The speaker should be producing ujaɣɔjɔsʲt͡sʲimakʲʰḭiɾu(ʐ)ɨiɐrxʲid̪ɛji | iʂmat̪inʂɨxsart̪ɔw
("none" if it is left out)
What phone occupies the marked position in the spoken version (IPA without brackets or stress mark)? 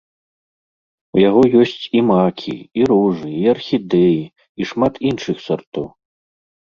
ʐ